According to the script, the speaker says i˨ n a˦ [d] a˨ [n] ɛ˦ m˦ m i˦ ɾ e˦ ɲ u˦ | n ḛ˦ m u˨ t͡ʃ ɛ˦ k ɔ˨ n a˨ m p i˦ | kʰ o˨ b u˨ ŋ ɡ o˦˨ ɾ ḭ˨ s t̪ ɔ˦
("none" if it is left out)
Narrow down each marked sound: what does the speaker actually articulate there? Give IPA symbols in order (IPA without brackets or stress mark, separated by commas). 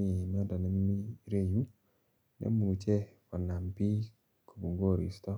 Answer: d, n